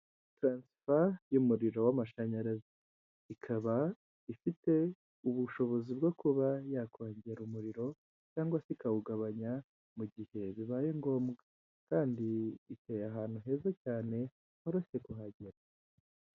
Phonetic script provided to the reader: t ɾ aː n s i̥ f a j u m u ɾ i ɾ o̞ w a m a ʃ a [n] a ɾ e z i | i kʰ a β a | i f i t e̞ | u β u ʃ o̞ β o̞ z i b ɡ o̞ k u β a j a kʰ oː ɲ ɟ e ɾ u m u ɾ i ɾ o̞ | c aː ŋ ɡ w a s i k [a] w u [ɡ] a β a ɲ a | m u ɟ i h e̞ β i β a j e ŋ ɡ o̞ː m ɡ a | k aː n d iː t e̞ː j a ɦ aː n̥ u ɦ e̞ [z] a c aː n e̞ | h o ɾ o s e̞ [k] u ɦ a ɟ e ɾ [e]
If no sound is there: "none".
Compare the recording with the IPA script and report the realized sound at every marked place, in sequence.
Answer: ɲ, a, ɡ, z, k, a

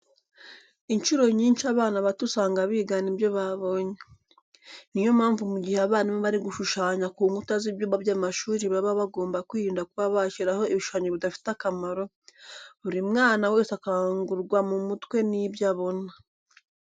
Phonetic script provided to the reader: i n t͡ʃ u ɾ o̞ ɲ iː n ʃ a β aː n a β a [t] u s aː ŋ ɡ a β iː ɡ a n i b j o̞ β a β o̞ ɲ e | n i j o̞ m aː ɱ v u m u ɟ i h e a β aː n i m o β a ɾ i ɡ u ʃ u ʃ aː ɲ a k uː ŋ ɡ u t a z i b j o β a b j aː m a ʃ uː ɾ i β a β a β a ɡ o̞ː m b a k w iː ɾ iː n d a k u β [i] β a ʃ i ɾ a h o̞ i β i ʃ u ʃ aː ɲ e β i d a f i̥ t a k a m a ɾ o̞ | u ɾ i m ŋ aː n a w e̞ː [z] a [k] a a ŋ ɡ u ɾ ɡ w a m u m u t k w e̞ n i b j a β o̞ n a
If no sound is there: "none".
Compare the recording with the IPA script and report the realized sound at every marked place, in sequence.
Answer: t, a, s, k

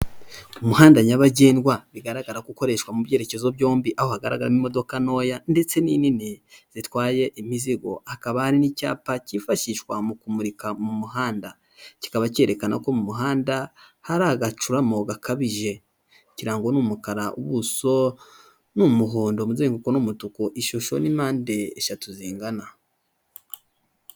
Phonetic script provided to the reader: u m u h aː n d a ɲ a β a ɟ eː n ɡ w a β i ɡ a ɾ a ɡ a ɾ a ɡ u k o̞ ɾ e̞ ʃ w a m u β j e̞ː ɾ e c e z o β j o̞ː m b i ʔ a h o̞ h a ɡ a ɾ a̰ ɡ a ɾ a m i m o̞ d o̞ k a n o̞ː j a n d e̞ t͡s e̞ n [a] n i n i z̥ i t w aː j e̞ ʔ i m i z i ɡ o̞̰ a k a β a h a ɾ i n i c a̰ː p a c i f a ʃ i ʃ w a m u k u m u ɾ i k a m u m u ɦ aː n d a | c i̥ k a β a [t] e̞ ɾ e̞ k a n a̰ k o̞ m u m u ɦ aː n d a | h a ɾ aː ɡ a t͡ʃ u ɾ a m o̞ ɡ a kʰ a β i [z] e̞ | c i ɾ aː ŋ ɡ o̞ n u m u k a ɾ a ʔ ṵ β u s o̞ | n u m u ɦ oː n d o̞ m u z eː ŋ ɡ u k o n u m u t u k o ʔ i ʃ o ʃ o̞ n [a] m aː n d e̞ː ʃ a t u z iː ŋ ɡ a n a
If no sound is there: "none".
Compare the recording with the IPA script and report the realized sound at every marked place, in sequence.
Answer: i, c, ʒ, i

